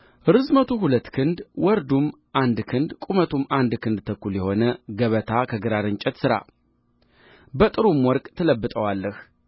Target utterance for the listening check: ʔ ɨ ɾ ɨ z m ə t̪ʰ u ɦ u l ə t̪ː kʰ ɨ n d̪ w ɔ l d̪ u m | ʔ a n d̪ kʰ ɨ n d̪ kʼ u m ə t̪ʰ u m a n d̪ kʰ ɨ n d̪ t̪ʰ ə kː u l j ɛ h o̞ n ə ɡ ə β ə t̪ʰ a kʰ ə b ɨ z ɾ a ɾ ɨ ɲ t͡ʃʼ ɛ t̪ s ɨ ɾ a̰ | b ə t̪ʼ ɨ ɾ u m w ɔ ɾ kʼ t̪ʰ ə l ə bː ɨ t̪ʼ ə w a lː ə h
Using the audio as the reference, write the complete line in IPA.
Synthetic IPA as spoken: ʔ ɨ ɾ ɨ z m ə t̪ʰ u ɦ u l ə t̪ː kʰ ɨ n d̪ w ɔ ɾ d̪ u m | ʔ a n d̪ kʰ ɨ n d̪ kʼ u m ə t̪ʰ u m a n d̪ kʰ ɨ n d̪ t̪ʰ ə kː u l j ɛ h o̞ n ə ɡ ə β ə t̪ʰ a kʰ ə ɡ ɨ ɾ a ɾ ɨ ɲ t͡ʃʼ ɛ t̪ s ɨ ɾ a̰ | b ə t̪ʼ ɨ ɾ u m w ɔ ɾ kʼ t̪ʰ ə l ə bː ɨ t̪ʼ ə w a lː ə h

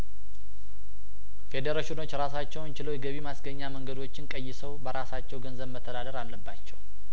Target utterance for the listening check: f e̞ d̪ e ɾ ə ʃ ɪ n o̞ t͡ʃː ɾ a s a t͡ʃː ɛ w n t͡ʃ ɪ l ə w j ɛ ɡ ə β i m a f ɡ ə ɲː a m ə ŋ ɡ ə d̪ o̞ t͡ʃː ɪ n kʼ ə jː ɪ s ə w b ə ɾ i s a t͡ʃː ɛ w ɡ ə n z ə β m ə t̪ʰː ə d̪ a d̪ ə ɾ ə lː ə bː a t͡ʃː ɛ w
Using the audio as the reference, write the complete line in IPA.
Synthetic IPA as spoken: f e̞ d̪ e ɾ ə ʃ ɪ n o̞ t͡ʃː ɾ a s a t͡ʃː ɛ w n t͡ʃ ɪ l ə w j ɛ ɡ ə β i m a s ɡ ə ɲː a m ə ŋ ɡ ə d̪ o̞ t͡ʃː ɪ n kʼ ə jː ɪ s ə w b ə ɾ a s a t͡ʃː ɛ w ɡ ə n z ə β m ə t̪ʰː ə d̪ a d̪ ə ɾ a lː ə bː a t͡ʃː ɛ w

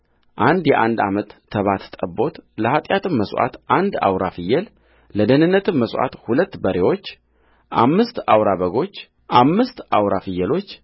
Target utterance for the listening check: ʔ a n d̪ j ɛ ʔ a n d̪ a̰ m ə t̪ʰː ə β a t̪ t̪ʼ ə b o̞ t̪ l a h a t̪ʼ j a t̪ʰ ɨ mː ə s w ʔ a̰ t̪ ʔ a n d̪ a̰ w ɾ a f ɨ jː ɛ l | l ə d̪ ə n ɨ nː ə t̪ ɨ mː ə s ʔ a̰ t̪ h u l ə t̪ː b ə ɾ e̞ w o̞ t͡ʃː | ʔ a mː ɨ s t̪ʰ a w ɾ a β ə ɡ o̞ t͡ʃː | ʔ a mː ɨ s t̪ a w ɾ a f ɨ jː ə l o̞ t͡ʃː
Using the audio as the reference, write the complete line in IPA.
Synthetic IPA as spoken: ʔ a n d̪ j ɛ ʔ a n d̪ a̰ m ə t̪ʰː ə β a t̪ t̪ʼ ə b o̞ t̪ l ə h a t̪ʼ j a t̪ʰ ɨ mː ə s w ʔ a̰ t̪ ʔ a n d̪ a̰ w ɾ a f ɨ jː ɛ l | l ə d̪ ə n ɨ nː ə t̪ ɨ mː ə s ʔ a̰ t̪ h u l ə t̪ː b ə ɾ e̞ w o̞ t͡ʃː | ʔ a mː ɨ s t̪ a w ɾ a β ə ɡ o̞ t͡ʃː | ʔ a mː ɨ s t̪ a w ɾ a f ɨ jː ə l o̞ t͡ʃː

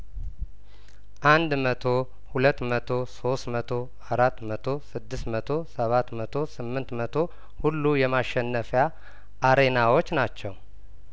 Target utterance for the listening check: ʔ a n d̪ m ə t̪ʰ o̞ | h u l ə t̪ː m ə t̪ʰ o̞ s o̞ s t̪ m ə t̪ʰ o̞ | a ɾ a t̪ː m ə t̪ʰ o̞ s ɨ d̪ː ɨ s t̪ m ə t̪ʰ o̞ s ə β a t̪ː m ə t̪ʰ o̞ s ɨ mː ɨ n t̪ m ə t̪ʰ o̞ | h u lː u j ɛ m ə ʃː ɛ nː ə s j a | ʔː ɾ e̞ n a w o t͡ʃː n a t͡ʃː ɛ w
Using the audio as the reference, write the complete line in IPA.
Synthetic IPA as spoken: ʔ a n d̪ m ə t̪ʰ o̞ | h u l ə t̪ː m ə t̪ʰ o̞ s o̞ s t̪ m ə t̪ʰ o̞ | a ɾ a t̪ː m ə t̪ʰ o̞ s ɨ d̪ː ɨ s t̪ m ə t̪ʰ o̞ s ə β a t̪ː m ə t̪ʰ o̞ s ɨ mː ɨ n t̪ m ə t̪ʰ o̞ | h u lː u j ɛ m a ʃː ɛ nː ə f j a | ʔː ɾ e̞ n a w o t͡ʃː n a t͡ʃː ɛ w

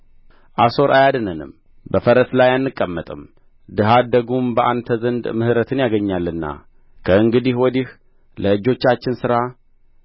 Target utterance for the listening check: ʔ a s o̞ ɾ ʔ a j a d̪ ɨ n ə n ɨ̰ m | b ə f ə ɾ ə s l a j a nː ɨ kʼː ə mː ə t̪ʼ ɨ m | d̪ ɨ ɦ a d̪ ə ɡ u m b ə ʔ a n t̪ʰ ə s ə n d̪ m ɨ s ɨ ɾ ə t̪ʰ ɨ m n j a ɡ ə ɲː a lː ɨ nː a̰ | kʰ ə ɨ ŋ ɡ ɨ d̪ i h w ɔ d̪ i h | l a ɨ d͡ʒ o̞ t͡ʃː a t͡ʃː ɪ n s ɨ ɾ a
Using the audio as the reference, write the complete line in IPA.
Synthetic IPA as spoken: ʔ a s o̞ ɾ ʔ a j a d̪ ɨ n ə n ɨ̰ m | b ə f ə ɾ ə s l a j a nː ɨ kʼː ə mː ə t̪ʼ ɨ m | d̪ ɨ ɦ a d̪ ə ɡ u m b ə ʔ a n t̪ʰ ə z ə n d̪ m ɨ h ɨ ɾ ə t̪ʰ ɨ n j a ɡ ə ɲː a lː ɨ nː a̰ | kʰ ə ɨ ŋ ɡ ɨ d̪ i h w ɔ d̪ i h | l ə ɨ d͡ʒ o̞ t͡ʃː a t͡ʃː ɪ n s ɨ ɾ a

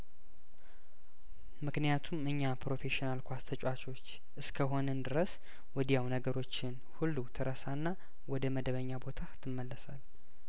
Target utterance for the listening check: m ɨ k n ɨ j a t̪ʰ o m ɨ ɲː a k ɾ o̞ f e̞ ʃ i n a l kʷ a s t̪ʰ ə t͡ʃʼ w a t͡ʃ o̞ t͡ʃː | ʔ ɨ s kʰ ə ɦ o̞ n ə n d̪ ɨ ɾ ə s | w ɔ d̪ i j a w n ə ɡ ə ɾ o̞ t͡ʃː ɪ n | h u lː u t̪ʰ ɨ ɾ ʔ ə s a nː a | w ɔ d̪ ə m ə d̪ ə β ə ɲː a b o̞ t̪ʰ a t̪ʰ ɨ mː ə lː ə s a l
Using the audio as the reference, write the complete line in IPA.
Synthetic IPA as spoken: m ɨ k n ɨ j a t̪ʰ u m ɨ ɲː a p ɾ o̞ f e̞ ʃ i n a l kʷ a s t̪ʰ ə t͡ʃʼ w a t͡ʃ o̞ t͡ʃː | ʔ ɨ s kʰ ə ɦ o̞ n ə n d̪ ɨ ɾ ə s | w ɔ d̪ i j a w n ə ɡ ə ɾ o̞ t͡ʃː ɪ n | h u lː u t̪ʰ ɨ ɾ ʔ ə s a nː a | w ɔ d̪ ə m ə d̪ ə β ə ɲː a b o̞ t̪ʰ a t̪ʰ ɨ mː ə lː ə s a l

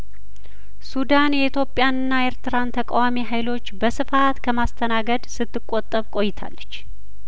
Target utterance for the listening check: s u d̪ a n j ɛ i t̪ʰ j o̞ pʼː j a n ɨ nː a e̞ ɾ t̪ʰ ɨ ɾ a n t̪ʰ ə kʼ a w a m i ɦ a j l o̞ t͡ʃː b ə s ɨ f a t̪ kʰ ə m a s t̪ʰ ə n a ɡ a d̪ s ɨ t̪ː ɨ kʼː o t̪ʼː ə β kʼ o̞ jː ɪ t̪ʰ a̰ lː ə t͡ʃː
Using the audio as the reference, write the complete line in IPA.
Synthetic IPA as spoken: s u d̪ a n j ɛ i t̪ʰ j o̞ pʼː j a n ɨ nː a e̞ ɾ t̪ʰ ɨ ɾ a n t̪ʰ ə kʼ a w a m i ɦ a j l o̞ t͡ʃː b ə s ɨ f a t̪ kʰ ə m a s t̪ʰ ə n a ɡ ə d̪ s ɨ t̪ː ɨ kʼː o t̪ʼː ə β kʼ o̞ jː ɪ t̪ʰ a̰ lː ə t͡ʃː

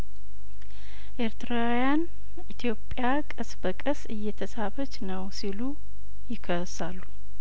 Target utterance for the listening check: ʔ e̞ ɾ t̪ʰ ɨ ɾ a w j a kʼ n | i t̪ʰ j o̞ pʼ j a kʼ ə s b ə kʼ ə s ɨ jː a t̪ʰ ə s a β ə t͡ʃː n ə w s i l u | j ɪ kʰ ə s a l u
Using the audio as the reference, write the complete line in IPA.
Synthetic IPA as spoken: ʔ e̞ ɾ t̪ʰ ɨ ɾ a w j a n | i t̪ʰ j o̞ pʼ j a kʼ ə s b ə kʼ ə s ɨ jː ɛ t̪ʰ ə s a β ə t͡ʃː n ə w s i l u | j ɪ kʰ ə s a lː u

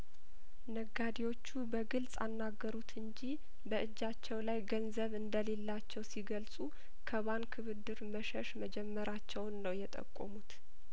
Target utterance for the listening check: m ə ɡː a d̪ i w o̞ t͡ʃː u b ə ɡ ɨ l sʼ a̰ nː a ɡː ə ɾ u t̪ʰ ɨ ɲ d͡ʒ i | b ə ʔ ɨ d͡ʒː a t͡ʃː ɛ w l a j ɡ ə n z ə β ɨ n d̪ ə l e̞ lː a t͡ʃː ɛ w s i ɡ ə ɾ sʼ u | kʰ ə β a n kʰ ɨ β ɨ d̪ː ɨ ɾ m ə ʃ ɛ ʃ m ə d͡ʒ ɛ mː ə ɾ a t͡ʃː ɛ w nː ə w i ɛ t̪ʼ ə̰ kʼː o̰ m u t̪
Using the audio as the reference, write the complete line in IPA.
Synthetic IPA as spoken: n ə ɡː a d̪ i w o̞ t͡ʃː u b ə ɡ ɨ l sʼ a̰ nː a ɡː ə ɾ u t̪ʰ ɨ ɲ d͡ʒ i | b ə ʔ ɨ d͡ʒː a t͡ʃː ɛ w l a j ɡ ə n z ə β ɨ n d̪ ə l e̞ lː a t͡ʃː ɛ w s i ɡ ə l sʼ u | kʰ ə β a n kʰ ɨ β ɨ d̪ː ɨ ɾ m ə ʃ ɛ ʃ m ə d͡ʒ ɛ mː ə ɾ a t͡ʃː ɛ w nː ə w j ɛ t̪ʼ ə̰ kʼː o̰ m u t̪

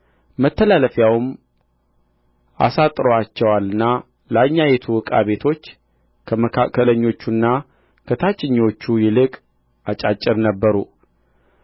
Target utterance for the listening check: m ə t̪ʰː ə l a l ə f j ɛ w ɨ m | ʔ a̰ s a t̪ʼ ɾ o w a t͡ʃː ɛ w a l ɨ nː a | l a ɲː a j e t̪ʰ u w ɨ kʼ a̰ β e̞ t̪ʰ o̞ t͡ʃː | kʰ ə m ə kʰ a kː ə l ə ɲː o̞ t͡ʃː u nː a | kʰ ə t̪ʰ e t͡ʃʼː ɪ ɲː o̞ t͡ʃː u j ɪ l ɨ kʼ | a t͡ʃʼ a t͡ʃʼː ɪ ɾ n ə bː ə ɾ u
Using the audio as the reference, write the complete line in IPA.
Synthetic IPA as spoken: m ə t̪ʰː ə l a l ə f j a w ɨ m | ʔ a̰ s a t̪ʼ ɾ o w a t͡ʃː ɛ w a l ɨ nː a | l a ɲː a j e t̪ʰ u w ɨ kʼ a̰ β e̞ t̪ʰ o̞ t͡ʃː | kʰ ə m ə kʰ a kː ə l ə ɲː o̞ t͡ʃː u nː a | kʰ ə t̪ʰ a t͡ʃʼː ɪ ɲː o̞ t͡ʃː u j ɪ l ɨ kʼ | a t͡ʃʼ a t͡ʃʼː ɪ ɾ n ə bː ə ɾ u

